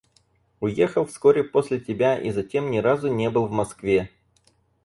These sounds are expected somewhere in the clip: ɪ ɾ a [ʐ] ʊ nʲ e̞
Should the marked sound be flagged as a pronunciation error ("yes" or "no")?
yes